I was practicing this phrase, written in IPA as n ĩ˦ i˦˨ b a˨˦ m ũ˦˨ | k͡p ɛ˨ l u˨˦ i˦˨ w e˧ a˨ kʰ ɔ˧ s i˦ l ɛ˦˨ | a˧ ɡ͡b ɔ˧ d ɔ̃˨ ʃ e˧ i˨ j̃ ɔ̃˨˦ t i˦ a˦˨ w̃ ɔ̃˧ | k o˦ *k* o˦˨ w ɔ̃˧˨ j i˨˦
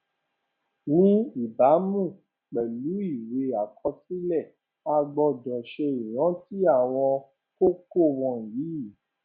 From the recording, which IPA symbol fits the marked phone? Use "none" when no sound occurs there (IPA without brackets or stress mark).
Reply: k